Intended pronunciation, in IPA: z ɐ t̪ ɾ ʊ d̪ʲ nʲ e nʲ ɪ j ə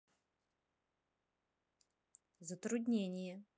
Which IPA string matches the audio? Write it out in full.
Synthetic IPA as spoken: z ə t̪ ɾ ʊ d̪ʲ nʲ e nʲ ɪ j ə